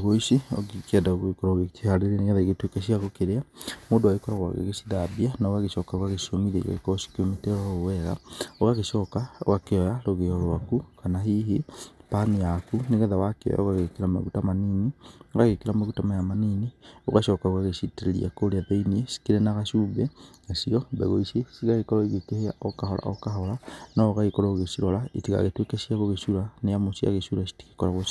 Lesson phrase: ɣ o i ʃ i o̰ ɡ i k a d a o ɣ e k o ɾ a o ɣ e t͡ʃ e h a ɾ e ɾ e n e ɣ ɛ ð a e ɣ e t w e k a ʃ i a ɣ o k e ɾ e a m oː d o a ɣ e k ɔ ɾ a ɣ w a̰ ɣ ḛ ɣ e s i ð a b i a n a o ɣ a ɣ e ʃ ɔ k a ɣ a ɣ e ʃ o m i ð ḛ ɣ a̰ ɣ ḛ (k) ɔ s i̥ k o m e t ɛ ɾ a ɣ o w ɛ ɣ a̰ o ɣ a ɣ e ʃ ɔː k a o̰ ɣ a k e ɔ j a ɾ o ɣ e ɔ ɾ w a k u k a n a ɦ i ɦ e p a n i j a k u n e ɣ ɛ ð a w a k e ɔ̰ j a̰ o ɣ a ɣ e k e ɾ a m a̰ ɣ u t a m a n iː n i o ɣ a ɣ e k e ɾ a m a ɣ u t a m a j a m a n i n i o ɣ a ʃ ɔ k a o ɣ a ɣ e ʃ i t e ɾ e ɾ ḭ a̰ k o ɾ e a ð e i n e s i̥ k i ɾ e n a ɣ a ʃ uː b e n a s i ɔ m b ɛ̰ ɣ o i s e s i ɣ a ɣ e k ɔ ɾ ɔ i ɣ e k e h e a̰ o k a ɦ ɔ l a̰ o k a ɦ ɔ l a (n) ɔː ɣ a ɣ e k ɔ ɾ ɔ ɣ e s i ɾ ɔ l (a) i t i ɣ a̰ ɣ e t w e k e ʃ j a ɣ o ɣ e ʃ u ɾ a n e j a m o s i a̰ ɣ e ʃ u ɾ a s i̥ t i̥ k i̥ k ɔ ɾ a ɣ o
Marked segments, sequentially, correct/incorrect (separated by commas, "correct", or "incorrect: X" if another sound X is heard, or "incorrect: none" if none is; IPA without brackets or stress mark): correct, correct, correct